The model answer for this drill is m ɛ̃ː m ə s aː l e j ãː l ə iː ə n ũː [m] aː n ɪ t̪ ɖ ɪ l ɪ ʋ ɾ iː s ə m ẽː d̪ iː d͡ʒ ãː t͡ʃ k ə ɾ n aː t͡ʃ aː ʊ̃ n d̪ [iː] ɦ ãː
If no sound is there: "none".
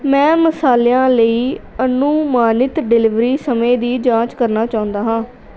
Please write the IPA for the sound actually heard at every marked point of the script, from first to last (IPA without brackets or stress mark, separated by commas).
m, aː